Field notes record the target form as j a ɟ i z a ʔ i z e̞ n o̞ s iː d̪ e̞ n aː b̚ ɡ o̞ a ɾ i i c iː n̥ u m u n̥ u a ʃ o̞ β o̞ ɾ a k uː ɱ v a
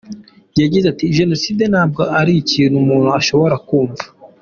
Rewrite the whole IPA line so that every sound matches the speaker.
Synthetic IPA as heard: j a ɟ i z a t i ʒ e̞ n o̞ s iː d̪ e̞ n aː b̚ ɡ o̞ a ɾ i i c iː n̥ u m uː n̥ u a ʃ o̞ β o̞ ɾ a k uː ɱ v a

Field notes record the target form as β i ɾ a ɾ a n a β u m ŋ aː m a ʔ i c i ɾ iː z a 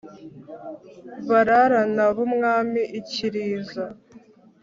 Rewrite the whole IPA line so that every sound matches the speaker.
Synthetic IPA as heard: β a ɾ a ɾ a n a β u m ŋ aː m i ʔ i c i ɾ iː z a

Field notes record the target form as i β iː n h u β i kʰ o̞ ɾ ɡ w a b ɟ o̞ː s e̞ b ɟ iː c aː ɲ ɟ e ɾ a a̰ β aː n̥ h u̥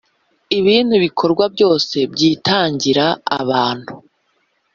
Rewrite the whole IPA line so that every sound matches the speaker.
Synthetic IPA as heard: i β iː n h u β i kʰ o̞ ɾ ɡ w a b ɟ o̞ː s e̞ b ɟ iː t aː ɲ ɟ i ɾ a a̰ β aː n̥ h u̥

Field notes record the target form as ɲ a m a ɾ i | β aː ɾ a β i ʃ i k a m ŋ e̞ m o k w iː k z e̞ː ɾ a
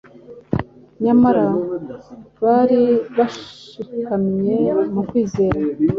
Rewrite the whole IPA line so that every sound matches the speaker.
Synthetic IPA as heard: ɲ a m a ɾ a | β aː ɾ i β a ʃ i k a m ɲ e̞ m u k w iː z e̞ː ɾ a

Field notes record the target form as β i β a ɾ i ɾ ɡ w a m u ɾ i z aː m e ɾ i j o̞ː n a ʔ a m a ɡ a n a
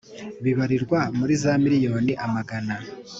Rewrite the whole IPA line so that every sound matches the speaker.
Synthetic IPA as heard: β i β a ɾ i ɾ ɡ w a m u ɾ i z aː m i ɾ i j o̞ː n i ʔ a m a ɡ a n a

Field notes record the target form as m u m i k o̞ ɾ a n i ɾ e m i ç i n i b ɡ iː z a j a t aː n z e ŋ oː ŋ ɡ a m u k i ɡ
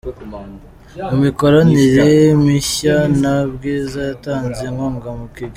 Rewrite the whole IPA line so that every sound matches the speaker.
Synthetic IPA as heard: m u m i k o̞ ɾ a n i ɾ e m i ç a n a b ɡ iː z a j a t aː n z e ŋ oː ŋ ɡ a m u k i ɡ

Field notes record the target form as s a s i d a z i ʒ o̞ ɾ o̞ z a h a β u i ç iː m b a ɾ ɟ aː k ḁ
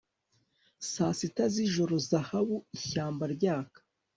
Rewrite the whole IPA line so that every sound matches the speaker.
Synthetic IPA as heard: s a s i t a z i ʒ o̞ ɾ o̞ z a h a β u i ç aː m b a ɾ ɟ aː k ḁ

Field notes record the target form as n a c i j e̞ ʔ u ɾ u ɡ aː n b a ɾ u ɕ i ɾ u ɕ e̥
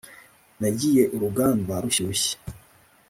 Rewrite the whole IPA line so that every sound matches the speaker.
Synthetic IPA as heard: n a ɟ i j e̞ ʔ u ɾ u ɡ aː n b a ɾ u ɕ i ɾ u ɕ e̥

